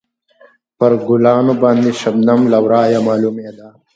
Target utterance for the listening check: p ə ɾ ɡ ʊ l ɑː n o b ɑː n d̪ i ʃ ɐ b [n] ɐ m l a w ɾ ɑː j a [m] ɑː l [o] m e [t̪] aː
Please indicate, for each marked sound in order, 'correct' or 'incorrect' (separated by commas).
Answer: correct, correct, incorrect, incorrect